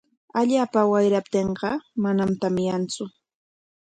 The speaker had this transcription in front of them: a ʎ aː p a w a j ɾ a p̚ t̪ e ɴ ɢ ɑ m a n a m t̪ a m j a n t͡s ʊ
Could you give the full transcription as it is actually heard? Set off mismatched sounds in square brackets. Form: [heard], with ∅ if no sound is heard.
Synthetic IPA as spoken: a ʎ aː p a w a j ɾ a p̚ t̪ e ɴ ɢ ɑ m a n a m t̪ a m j a n t͡s ʊ

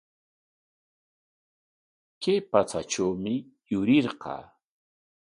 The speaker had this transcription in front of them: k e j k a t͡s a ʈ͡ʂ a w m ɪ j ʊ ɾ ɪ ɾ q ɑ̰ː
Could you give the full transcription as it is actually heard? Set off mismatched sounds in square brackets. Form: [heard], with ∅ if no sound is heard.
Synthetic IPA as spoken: k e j [p] a t͡s a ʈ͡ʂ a w m ɪ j ʊ ɾ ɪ ɾ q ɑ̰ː

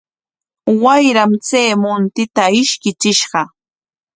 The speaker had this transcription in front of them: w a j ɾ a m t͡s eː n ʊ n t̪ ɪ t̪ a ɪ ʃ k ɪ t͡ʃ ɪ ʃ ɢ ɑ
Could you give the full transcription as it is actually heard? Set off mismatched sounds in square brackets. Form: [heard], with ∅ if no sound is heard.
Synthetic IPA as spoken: w a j ɾ a m t͡s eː [m] ʊ n t̪ ɪ t̪ a ɪ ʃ k ɪ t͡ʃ ɪ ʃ ɢ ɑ

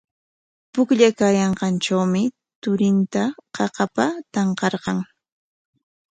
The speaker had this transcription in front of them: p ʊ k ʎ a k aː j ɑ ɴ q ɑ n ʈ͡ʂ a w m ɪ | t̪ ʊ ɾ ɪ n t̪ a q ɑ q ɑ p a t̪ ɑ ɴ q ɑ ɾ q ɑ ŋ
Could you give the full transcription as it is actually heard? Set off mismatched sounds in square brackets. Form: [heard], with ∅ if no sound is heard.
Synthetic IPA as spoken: p ʊ k ʎ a k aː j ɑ ɴ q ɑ n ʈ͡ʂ a w m ɪ | t̪ ʊ ɾ ɪ n t̪ a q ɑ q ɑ p a t̪ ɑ ɴ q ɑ ɾ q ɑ ŋ

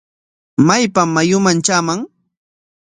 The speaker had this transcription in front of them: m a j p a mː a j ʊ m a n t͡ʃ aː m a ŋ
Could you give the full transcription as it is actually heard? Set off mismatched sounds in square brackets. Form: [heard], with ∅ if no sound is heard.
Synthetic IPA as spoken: m a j p a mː a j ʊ m a n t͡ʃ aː m a ŋ

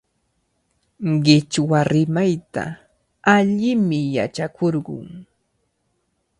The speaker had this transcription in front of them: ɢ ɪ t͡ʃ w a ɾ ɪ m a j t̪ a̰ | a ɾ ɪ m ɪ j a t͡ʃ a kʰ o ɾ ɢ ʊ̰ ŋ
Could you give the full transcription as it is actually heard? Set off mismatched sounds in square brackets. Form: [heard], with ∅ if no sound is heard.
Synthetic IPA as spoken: ɢ ɪ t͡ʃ w a ɾ ɪ m a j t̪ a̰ | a [ʎ] ɪ m ɪ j a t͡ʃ a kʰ o ɾ ɢ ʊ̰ ŋ

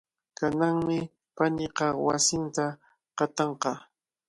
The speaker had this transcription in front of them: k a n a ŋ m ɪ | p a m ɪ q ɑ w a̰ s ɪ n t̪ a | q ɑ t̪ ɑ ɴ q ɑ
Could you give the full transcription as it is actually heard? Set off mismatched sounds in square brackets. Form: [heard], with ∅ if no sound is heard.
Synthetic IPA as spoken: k a n a ŋ m ɪ | p a [n] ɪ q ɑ w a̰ s ɪ n t̪ a | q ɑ t̪ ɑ ɴ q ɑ

